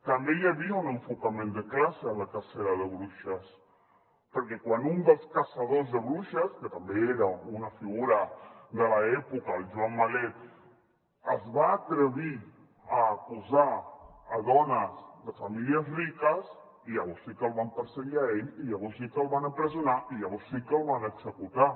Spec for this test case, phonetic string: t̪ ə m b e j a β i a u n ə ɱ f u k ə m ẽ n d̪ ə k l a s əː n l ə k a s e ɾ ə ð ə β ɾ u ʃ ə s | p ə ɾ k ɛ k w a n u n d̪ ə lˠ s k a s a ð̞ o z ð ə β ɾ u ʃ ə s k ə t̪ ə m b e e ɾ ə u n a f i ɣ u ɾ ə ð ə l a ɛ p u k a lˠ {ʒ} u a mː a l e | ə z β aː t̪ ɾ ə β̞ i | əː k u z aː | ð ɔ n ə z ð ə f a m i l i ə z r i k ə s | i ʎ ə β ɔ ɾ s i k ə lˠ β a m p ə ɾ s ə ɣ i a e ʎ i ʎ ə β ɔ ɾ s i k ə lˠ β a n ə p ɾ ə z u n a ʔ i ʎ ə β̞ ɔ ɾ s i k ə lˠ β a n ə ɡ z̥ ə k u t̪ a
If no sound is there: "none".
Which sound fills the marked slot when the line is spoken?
ʒ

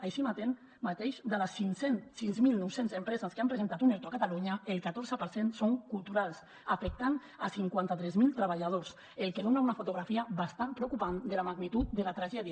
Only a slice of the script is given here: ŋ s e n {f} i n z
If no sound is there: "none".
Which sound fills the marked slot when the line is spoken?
s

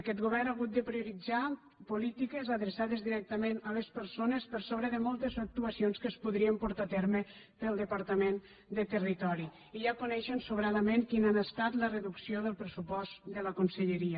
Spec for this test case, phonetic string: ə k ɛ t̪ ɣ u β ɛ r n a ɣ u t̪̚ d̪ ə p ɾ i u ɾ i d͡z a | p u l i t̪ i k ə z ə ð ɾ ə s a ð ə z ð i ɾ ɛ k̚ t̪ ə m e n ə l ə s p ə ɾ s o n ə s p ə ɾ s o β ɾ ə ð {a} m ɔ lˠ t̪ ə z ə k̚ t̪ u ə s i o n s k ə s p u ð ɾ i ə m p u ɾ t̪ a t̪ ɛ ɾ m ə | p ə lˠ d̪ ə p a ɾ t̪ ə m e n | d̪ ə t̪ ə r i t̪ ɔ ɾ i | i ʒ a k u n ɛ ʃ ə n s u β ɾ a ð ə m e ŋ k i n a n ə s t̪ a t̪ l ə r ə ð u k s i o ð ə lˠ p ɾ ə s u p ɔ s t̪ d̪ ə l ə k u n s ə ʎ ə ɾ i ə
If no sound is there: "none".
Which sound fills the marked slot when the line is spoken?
ə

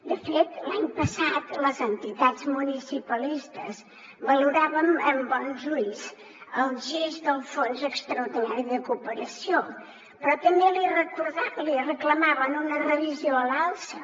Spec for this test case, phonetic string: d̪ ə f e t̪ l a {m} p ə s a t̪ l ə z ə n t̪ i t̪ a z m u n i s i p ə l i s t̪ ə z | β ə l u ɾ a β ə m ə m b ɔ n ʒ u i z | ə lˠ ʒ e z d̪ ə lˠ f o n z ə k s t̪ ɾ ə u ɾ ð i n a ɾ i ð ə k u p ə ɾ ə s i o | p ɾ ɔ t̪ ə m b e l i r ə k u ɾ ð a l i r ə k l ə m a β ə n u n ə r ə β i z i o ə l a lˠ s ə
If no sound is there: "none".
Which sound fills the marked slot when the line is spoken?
ɲ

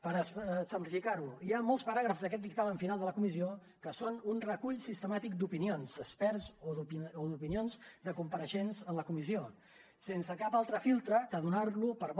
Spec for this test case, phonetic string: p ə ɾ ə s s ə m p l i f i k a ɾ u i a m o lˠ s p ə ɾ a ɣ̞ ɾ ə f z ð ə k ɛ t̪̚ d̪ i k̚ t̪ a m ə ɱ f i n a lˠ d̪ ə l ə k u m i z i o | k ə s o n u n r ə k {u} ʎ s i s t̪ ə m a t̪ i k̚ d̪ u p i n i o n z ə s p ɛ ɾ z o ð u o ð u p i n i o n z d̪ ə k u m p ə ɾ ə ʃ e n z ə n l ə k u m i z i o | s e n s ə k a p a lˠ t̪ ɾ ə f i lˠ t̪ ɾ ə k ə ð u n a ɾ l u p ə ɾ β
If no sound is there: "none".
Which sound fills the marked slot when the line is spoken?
u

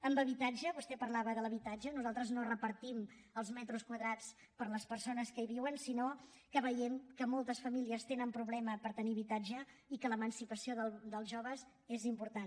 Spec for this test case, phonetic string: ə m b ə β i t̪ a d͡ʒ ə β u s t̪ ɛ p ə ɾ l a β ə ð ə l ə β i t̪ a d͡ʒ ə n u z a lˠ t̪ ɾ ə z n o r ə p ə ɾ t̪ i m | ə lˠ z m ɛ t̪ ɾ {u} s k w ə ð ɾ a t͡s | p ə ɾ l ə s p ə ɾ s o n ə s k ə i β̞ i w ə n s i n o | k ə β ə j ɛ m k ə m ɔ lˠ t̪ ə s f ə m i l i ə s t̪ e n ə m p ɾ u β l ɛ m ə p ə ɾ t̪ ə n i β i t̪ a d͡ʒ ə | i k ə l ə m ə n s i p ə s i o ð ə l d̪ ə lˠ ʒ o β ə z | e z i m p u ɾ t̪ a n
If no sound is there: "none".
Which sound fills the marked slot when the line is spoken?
u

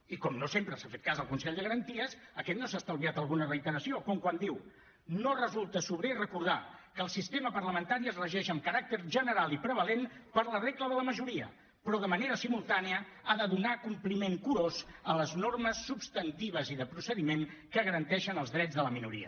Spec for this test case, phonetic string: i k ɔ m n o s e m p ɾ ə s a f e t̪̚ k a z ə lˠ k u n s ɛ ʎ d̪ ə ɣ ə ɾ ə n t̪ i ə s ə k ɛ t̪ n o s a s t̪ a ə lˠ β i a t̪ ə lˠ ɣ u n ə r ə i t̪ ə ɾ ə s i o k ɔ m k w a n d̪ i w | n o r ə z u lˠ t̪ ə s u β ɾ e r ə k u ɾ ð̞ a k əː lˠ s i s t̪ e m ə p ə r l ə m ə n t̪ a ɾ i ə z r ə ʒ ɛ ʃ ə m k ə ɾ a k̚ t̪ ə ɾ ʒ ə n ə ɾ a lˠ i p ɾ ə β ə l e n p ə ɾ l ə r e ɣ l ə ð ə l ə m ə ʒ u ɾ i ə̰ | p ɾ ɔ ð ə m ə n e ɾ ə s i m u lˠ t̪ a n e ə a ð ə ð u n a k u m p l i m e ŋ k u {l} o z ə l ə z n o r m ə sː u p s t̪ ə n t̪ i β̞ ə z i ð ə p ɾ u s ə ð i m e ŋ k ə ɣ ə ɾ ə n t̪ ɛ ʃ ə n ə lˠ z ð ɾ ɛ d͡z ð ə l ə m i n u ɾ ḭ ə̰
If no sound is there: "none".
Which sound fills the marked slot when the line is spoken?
ɾ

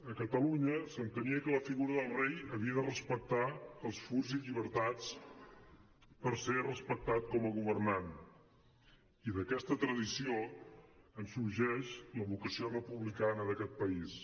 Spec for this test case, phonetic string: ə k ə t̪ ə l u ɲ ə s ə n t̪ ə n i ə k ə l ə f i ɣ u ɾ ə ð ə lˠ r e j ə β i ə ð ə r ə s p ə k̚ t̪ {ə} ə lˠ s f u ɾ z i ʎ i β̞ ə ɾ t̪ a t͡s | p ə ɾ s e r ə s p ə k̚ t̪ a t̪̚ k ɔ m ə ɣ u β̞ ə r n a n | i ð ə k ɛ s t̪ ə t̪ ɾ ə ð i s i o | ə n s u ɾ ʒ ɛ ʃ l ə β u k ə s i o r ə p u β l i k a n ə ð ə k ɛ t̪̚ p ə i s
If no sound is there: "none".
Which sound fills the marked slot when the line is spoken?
a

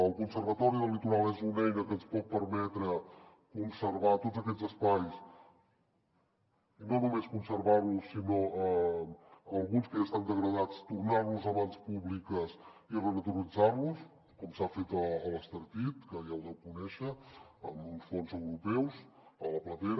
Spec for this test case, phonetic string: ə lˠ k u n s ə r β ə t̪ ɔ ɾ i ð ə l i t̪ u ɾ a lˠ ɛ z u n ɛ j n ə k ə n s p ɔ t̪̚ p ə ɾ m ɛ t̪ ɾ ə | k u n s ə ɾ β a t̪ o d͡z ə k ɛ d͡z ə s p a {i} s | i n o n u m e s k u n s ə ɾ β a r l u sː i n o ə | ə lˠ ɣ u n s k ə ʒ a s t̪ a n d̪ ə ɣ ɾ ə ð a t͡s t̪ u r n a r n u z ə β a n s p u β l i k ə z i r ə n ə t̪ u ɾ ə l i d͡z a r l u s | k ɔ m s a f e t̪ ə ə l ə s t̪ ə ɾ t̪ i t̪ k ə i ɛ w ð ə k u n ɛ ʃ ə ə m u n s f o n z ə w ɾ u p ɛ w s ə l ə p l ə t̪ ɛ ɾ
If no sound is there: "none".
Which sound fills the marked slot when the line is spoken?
j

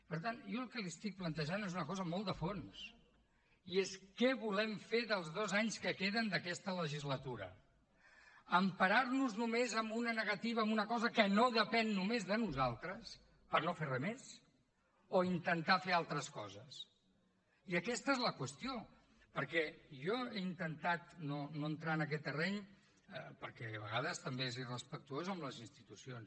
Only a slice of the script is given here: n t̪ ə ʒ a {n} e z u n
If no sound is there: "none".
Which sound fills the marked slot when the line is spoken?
n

